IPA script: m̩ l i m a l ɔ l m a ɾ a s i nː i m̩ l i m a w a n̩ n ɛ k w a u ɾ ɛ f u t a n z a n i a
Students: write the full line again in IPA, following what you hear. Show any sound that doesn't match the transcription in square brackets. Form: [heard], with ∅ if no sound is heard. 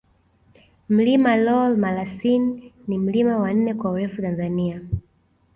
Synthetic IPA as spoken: m̩ l i m a l ɔ l m a [l] a s i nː i m̩ l i m a w a n̩ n ɛ k w a u ɾ ɛ f u t a n z a n i a